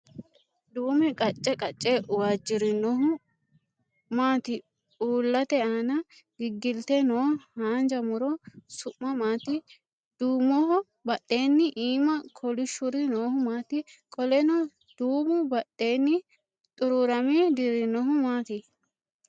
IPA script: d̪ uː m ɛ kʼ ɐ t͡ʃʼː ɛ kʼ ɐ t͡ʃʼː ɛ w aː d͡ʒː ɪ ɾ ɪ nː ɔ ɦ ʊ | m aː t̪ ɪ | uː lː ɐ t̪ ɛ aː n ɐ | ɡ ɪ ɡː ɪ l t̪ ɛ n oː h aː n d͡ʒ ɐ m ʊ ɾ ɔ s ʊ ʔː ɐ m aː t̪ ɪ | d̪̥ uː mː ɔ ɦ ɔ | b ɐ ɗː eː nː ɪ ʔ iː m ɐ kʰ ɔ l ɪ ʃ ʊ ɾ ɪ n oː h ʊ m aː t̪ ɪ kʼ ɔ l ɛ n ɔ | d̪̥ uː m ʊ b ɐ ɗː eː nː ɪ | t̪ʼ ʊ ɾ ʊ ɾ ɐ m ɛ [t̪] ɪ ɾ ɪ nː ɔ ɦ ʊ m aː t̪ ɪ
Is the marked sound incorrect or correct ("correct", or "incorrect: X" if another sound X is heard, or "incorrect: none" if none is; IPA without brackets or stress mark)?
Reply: incorrect: d̪